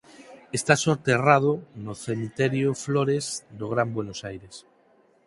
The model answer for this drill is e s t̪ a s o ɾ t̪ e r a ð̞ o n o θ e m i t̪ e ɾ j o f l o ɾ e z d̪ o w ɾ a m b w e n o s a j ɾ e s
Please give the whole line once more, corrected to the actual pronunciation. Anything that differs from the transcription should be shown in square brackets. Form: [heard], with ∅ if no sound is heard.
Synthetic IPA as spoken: e s t̪ a s o ɾ t̪ e r a ð̞ o n o θ e m i t̪ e ɾ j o f l o ɾ e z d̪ o [ɣ] ɾ a m b w e n o s a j ɾ e s